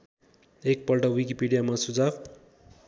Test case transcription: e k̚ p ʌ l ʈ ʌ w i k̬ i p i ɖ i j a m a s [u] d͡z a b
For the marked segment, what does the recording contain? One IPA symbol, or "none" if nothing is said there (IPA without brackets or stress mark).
u